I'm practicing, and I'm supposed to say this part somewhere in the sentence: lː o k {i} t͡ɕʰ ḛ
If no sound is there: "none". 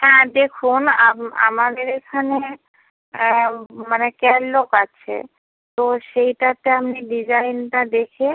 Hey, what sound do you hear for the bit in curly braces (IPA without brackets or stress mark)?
a